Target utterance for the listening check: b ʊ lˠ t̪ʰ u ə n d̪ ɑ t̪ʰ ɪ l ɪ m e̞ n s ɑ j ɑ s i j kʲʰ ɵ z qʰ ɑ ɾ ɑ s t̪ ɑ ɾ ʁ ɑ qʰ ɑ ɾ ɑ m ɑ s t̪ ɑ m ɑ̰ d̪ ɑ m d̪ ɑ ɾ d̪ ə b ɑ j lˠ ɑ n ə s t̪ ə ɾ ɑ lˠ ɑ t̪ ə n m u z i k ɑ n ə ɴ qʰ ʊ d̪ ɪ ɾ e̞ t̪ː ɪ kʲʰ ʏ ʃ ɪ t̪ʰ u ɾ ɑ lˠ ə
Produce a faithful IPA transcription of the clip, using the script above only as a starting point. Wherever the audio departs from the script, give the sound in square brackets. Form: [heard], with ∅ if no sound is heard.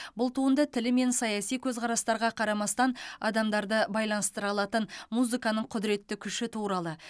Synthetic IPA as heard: b ʊ lˠ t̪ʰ u ə n d̪ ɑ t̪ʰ ɪ l ɪ m e̞ n s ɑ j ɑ s i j kʲʰ ɵ z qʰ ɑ ɾ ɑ s t̪ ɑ ɾ ʁ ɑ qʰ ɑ ɾ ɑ m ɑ s t̪ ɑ [n] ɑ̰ d̪ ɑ m d̪ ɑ ɾ d̪ ə b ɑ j lˠ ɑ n ə s t̪ ə ɾ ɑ lˠ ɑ t̪ ə n m u z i k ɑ n ə ɴ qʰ ʊ d̪ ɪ ɾ e̞ t̪ː ɪ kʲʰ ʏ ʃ ɪ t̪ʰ u ɾ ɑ lˠ ə